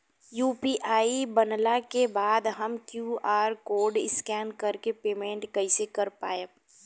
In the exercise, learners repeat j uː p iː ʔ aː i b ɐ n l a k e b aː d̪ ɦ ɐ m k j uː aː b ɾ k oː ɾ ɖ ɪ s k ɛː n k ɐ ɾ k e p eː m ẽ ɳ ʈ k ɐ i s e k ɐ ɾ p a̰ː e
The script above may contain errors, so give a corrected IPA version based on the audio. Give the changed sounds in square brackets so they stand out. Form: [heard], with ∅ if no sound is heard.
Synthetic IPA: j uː p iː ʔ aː i b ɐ n l a k e b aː d̪ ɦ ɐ m k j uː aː [∅] ɾ k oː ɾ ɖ ɪ s k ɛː n k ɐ ɾ k e p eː m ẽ ɳ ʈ k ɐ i s e k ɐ ɾ p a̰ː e